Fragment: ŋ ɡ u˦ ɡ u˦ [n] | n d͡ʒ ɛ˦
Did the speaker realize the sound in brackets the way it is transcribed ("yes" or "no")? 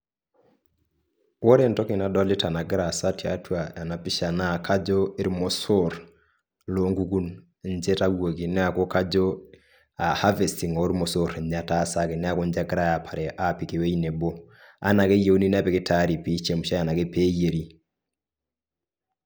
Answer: yes